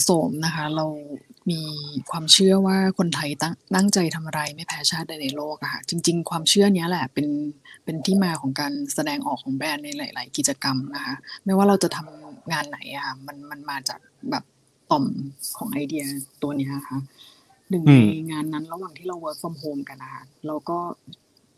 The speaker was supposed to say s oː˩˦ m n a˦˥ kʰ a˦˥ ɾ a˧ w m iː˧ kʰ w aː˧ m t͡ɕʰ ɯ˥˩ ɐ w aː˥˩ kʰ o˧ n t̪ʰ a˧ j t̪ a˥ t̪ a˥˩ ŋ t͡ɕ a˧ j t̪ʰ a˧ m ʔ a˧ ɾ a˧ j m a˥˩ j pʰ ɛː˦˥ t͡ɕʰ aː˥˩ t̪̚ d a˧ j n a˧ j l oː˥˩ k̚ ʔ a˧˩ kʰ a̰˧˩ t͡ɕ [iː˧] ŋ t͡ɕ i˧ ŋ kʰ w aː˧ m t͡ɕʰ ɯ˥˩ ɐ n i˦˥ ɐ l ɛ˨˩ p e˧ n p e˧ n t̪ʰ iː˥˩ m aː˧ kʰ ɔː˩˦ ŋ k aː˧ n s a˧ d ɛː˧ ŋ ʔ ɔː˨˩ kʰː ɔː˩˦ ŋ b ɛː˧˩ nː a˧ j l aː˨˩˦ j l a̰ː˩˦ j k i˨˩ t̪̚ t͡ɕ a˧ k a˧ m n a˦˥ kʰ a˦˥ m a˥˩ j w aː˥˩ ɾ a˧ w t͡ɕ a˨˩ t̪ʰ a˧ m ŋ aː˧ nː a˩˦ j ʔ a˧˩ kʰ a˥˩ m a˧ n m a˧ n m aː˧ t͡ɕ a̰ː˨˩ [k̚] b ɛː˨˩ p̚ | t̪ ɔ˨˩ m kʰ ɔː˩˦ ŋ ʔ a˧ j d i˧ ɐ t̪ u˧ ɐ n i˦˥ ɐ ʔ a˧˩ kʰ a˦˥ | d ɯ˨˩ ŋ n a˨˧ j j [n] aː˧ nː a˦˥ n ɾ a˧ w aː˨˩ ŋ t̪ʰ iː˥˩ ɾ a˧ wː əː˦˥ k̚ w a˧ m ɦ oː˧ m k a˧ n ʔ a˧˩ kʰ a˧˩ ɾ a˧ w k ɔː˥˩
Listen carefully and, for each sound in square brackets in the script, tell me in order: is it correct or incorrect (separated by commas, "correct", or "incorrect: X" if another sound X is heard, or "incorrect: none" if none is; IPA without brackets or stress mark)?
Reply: incorrect: i˧, correct, incorrect: ŋ